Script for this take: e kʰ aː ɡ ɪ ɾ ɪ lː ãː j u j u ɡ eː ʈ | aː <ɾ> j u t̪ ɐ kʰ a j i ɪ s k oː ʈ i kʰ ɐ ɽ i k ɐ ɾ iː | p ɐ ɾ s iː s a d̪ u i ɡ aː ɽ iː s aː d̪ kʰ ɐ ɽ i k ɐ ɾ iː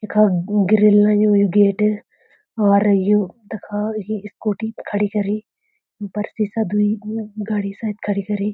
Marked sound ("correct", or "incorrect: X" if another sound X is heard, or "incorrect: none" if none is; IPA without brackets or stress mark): correct